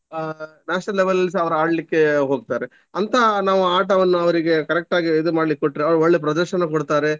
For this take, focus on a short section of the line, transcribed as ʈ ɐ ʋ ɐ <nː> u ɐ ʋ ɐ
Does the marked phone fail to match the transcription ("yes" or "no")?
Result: no